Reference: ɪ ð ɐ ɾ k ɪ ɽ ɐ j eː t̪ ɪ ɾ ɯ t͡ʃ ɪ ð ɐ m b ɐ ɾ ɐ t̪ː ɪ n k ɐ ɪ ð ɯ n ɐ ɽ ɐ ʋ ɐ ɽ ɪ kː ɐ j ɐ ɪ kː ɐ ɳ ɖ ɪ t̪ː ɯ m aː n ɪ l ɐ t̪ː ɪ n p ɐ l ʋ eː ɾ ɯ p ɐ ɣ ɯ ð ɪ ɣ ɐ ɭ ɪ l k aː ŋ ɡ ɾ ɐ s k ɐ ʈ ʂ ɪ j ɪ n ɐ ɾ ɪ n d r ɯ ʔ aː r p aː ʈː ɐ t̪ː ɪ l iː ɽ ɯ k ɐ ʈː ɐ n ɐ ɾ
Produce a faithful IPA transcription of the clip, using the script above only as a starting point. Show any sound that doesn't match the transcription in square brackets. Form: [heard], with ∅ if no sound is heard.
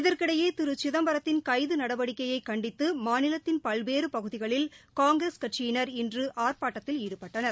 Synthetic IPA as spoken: ɪ ð ɐ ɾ k ɪ ɽ ɐ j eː t̪ ɪ ɾ ɯ t͡ʃ ɪ ð ɐ m b ɐ ɾ ɐ t̪ː ɪ n k ɐ ɪ ð ɯ n ɐ ɽ ɐ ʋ ɐ ɽ ɪ kː ɐ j ɐ ɪ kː ɐ ɳ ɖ ɪ t̪ː ɯ m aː n ɪ l ɐ t̪ː ɪ n p ɐ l ʋ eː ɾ ɯ p ɐ ɣ ɯ ð ɪ ɣ ɐ ɭ ɪ l k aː ŋ ɡ ɾ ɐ s k ɐ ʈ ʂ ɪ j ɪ n ɐ ɾ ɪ n d r ɯ ʔ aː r p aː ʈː ɐ t̪ː ɪ l iː ɽ ɯ [p] ɐ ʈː ɐ n ɐ ɾ